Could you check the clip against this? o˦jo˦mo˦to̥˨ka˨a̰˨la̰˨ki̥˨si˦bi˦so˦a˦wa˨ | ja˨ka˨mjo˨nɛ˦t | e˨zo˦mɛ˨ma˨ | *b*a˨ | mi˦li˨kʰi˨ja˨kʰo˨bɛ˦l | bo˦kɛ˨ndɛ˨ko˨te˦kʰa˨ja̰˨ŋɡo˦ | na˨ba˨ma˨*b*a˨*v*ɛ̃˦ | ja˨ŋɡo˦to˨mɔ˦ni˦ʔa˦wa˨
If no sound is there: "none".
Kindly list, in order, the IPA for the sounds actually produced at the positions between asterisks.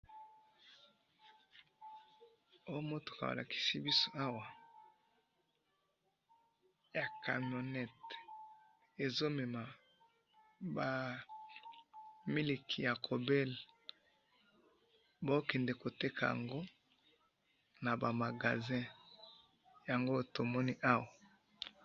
b, ɡ, z

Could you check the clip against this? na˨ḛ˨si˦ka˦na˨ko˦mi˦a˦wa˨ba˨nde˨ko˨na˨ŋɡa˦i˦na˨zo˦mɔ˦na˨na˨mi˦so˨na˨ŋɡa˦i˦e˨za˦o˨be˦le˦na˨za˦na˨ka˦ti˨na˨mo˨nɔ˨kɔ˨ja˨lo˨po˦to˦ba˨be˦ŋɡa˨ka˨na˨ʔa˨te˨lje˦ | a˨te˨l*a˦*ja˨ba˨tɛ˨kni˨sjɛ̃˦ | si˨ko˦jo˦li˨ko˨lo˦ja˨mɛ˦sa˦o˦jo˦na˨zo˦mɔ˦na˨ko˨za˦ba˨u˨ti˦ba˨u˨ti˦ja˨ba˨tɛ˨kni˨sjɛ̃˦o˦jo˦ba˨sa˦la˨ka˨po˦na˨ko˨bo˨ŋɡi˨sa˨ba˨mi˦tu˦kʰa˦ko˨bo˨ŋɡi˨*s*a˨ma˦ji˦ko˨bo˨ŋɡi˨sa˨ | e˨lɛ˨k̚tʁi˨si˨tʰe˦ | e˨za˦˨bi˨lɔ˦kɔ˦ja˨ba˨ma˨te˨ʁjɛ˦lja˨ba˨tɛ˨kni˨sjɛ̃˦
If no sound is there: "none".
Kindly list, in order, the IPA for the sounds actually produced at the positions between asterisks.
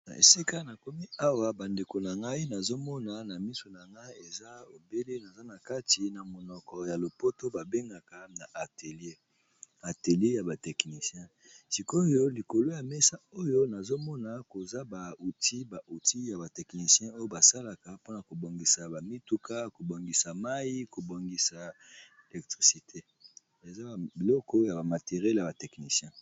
e˦, s

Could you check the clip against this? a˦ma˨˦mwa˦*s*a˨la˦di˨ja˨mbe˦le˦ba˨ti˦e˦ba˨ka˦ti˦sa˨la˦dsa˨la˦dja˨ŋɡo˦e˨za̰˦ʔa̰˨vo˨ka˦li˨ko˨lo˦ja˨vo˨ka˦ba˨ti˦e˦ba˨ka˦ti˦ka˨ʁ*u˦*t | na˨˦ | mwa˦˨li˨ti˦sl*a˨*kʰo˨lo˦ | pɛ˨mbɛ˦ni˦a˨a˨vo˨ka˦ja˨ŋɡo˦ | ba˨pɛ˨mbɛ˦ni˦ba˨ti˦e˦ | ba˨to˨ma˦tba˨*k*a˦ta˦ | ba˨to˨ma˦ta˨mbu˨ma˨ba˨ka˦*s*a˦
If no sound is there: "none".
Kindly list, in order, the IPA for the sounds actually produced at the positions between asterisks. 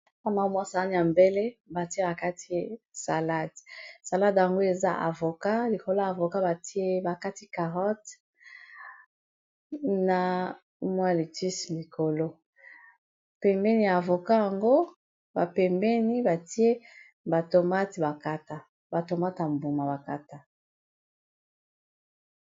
s, ɔ˦, i˨, k, t

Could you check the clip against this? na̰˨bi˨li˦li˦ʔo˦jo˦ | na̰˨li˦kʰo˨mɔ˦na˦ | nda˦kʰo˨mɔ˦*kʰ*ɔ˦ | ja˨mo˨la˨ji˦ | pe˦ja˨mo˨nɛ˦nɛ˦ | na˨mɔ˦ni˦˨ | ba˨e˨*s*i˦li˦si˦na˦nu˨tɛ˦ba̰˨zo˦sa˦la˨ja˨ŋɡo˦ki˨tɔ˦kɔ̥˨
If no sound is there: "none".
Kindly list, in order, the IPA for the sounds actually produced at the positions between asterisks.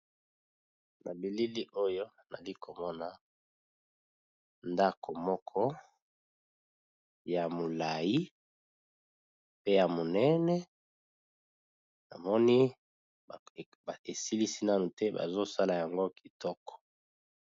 kʰ, s

